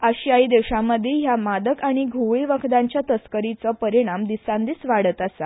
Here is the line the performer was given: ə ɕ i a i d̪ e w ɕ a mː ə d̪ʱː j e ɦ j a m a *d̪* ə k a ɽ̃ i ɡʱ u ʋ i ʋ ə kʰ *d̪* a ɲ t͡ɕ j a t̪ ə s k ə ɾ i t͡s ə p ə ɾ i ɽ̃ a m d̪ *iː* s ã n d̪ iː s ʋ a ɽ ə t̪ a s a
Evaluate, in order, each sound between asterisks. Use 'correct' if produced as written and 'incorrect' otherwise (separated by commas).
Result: correct, correct, incorrect